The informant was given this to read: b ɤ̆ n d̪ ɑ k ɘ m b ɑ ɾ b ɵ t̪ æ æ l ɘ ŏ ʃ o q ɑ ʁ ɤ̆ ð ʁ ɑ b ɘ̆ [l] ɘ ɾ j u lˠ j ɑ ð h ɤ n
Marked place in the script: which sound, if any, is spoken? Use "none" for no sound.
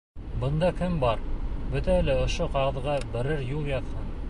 ɾ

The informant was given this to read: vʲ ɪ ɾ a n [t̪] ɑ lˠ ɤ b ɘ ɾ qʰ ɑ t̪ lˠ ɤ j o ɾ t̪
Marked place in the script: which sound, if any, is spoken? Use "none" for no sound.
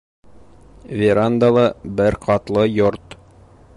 d̪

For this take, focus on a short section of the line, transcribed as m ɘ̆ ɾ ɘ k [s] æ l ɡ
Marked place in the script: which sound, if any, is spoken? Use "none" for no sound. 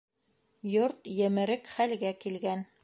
χ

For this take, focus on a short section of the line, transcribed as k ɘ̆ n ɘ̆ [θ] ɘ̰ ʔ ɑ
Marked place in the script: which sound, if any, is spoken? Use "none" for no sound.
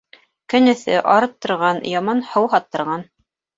θ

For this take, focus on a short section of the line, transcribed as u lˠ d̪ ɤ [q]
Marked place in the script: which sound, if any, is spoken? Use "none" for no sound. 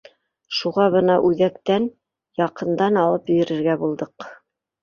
q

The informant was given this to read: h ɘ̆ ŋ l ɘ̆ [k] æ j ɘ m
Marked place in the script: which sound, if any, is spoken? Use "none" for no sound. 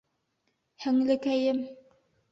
k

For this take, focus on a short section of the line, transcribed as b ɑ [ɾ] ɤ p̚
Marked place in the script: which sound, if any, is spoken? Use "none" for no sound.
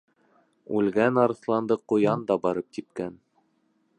ɾ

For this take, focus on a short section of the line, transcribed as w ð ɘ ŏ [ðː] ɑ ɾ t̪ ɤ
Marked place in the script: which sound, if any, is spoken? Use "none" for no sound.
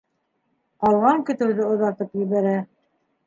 ð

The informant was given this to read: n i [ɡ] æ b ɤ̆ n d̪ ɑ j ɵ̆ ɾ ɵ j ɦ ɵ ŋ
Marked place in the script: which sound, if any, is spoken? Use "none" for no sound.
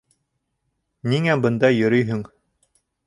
ŋ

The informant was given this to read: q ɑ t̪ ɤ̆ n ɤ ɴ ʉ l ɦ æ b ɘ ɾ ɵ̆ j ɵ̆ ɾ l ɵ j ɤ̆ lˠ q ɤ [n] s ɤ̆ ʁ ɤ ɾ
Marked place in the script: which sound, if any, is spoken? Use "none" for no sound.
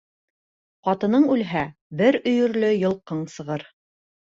ɴ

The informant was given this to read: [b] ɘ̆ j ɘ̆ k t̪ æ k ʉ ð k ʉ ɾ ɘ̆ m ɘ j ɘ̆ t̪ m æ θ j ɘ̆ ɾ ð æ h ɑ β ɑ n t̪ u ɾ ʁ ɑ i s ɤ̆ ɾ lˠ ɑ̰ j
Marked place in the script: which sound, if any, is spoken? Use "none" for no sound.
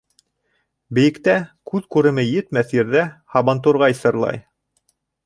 b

